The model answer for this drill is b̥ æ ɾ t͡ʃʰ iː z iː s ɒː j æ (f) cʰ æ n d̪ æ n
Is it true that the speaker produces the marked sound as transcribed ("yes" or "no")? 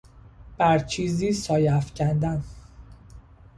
yes